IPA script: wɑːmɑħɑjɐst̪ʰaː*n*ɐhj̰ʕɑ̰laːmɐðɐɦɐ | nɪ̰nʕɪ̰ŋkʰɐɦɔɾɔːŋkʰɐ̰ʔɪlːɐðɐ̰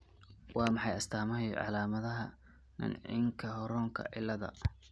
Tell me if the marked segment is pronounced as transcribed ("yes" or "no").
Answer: no